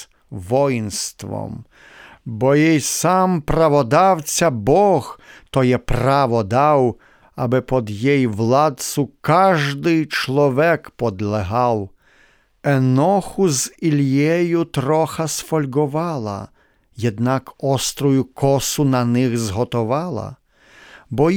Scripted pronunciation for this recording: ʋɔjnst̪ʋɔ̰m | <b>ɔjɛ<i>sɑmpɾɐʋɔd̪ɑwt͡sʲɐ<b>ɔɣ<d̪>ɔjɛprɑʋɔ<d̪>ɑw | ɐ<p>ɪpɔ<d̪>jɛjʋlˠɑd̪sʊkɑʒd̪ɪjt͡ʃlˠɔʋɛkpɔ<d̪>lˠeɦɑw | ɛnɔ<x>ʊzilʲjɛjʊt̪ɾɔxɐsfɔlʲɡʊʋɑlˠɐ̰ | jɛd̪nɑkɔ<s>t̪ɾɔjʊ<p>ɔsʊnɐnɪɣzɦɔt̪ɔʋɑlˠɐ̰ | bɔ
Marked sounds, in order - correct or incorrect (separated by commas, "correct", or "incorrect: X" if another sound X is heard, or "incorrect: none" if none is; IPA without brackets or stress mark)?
correct, incorrect: j, correct, incorrect: t̪, correct, incorrect: b, correct, correct, correct, correct, incorrect: k